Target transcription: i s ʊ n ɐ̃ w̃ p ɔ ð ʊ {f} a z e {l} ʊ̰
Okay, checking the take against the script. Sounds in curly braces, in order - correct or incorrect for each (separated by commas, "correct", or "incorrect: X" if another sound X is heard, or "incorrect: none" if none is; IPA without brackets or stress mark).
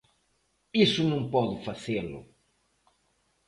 correct, correct